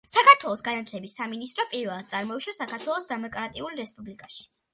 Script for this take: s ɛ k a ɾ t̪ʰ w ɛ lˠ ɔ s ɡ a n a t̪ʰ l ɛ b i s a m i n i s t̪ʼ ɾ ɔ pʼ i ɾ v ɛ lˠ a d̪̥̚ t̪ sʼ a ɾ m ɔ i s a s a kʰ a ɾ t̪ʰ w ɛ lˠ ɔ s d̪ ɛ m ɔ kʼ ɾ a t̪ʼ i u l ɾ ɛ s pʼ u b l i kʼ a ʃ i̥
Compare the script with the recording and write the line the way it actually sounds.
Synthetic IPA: s a k a ɾ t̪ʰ w ɛ lˠ ɔ s ɡ a n a t̪ʰ l ɛ b i s a m i n i s t̪ʼ ɾ ɔ pʼ i ɾ v ɛ lˠ a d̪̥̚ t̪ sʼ a ɾ m ɔ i ʃ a s a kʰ a ɾ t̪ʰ w ɛ lˠ ɔ s d̪ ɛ m ɔ kʼ ɾ a t̪ʼ i u l ɾ ɛ s pʼ u b l i kʼ a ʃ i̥